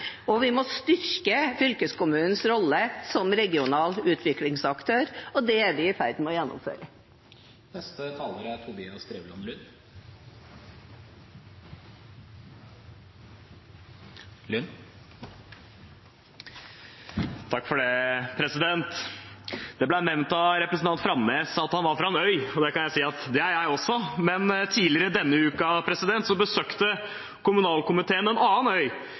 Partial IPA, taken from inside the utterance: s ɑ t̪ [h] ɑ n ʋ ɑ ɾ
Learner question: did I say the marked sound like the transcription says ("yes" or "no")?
yes